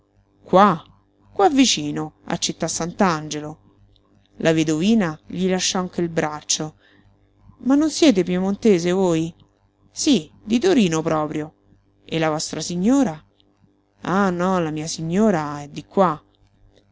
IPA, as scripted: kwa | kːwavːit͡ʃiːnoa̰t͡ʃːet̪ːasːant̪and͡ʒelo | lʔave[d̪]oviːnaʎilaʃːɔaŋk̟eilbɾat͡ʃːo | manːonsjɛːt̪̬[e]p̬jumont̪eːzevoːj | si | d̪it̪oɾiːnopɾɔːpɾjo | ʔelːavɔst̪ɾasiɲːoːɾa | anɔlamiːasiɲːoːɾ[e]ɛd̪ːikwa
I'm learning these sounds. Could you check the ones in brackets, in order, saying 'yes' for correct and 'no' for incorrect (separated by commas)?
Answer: yes, yes, no